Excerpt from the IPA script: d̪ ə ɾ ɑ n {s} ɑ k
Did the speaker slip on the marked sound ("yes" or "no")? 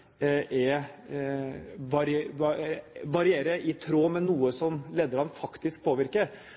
yes